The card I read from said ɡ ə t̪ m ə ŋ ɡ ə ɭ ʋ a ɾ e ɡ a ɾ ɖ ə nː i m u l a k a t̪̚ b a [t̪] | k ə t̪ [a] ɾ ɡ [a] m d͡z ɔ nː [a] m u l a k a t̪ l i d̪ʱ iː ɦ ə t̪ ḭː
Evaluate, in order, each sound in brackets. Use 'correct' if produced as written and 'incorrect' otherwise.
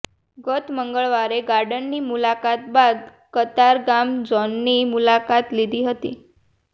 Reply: incorrect: d̪, correct, correct, incorrect: i

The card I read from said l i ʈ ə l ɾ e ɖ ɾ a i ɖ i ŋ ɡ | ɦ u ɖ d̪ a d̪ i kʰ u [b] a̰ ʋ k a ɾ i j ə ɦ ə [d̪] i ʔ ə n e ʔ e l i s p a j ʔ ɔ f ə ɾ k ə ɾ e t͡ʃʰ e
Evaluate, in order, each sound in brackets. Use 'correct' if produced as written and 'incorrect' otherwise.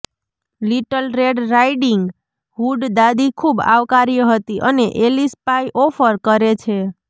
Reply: correct, incorrect: t̪

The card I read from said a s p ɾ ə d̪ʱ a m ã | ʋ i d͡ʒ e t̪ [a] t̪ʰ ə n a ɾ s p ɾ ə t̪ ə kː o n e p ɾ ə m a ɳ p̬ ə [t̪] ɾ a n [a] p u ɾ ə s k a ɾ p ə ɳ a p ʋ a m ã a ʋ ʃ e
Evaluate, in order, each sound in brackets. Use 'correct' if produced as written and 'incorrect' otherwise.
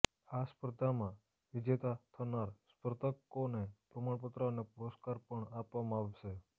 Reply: correct, correct, incorrect: e

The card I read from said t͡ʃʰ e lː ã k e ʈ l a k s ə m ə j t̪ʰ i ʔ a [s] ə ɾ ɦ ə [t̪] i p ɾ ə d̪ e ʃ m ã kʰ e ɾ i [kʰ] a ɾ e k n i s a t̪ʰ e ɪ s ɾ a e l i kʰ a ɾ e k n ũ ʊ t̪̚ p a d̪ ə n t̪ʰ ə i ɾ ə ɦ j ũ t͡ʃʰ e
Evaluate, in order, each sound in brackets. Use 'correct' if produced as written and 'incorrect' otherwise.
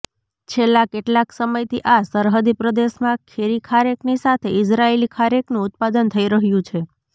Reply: correct, incorrect: d̪, correct

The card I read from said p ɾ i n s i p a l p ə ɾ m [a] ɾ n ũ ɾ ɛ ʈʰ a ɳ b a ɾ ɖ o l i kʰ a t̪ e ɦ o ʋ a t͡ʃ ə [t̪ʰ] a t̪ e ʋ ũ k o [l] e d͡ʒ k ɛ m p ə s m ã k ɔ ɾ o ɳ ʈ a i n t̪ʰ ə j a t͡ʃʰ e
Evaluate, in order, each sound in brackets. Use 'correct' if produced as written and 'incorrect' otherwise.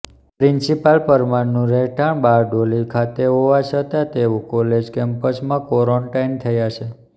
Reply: correct, incorrect: t̪, correct

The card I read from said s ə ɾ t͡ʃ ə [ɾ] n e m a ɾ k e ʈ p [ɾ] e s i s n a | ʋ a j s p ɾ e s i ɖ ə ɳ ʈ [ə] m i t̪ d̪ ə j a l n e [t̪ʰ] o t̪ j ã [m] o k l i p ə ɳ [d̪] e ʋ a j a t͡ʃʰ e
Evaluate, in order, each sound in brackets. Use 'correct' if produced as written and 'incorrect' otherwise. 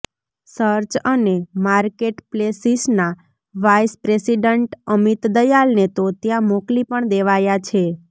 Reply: incorrect: none, incorrect: l, correct, incorrect: t̪, correct, correct

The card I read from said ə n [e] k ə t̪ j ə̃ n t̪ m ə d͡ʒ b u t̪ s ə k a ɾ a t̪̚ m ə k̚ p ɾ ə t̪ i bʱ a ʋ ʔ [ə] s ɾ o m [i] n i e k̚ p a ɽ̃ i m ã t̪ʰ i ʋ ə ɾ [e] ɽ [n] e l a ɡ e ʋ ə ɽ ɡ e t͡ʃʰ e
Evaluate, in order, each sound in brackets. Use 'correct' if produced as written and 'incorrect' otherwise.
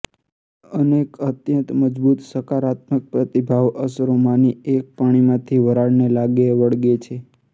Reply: correct, correct, incorrect: a, incorrect: a, correct

